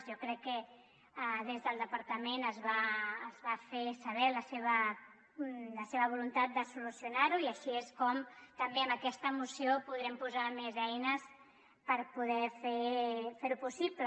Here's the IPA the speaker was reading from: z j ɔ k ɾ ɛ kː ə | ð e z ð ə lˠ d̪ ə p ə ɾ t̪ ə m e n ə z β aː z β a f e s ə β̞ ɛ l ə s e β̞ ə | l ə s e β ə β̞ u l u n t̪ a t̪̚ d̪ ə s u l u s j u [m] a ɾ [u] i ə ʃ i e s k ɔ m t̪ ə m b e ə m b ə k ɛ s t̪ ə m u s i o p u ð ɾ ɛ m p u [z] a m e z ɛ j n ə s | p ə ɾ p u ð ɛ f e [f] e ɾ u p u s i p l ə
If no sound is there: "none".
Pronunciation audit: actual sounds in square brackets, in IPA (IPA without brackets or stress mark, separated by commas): n, u, z, f